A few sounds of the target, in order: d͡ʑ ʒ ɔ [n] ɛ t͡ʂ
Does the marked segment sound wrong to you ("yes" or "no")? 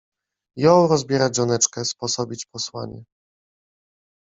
no